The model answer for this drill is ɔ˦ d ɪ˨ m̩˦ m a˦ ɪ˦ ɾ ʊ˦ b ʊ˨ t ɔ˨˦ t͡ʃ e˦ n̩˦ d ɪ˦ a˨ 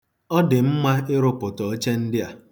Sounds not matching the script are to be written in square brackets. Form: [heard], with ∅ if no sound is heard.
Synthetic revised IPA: ɔ˦ d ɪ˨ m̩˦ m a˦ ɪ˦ ɾ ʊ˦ [p] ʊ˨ t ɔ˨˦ t͡ʃ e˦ n̩˦ d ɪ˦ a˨